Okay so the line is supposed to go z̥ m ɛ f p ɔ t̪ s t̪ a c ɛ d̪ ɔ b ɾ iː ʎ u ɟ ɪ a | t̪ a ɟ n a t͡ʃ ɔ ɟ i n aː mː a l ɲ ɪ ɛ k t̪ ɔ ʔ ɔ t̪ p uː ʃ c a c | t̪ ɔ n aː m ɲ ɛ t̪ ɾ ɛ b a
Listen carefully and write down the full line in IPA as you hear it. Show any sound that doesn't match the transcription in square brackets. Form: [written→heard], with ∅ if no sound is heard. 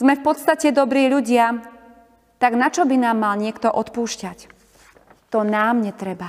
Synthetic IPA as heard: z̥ m ɛ f p ɔ t̪ s t̪ a c ɛ d̪ ɔ b ɾ iː ʎ u ɟ ɪ a | t̪ a [ɟ→ɡ] n a t͡ʃ ɔ [ɟ→b] i n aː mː a l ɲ ɪ ɛ k t̪ ɔ ʔ ɔ t̪ p uː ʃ c a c | t̪ ɔ n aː m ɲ ɛ t̪ ɾ ɛ b a